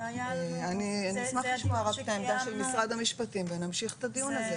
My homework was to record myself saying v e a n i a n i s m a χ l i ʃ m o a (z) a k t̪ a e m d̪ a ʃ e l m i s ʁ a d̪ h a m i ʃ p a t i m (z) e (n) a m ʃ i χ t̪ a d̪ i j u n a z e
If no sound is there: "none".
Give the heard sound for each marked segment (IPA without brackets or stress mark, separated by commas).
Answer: ʁ, v, n